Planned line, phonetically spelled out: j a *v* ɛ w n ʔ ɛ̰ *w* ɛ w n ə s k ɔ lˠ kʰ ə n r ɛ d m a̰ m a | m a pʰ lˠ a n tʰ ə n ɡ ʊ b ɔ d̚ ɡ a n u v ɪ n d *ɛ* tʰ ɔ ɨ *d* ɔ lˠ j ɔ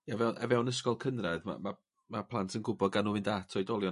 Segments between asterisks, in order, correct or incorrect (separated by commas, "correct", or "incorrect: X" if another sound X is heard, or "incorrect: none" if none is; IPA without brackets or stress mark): correct, incorrect: v, incorrect: a, correct